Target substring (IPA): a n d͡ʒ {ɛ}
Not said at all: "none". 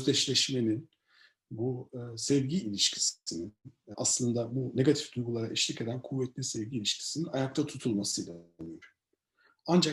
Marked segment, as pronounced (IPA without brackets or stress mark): a